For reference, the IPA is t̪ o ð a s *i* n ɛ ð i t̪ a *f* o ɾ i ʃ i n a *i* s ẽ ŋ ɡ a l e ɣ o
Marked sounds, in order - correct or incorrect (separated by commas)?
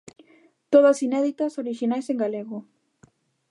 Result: correct, incorrect, incorrect